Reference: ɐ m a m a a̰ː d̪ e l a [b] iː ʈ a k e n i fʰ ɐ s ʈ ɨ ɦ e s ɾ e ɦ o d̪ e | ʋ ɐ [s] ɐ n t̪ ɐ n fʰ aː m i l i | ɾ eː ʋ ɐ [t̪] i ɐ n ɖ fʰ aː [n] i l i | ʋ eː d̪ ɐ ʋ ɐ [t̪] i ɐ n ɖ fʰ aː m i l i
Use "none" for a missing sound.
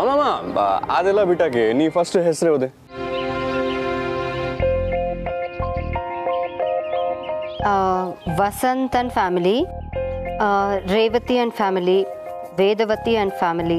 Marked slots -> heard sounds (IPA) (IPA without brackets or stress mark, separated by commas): b, s, t̪, m, t̪